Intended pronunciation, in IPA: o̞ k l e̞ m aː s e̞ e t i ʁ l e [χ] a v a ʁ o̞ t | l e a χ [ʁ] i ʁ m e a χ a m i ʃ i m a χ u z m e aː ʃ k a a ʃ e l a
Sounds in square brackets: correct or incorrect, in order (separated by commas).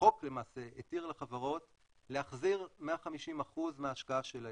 correct, incorrect